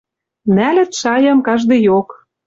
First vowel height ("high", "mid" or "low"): low